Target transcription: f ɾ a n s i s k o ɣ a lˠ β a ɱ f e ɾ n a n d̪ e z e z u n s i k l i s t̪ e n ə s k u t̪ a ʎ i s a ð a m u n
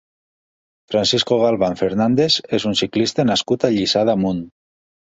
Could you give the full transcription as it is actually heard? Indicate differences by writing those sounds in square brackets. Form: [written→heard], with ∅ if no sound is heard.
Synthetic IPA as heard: f ɾ a n s i s k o ɣ a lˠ β a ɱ f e ɾ n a n d̪ e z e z u n s i k l i s t̪ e n [ə→a] s k u t̪ a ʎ i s a ð a m u n